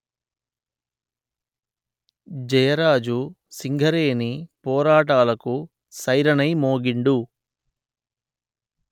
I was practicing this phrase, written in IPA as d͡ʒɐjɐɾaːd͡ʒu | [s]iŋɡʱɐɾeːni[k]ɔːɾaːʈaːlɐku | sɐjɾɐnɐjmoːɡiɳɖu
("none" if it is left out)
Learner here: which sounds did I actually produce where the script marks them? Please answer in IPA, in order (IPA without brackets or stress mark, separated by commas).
s, p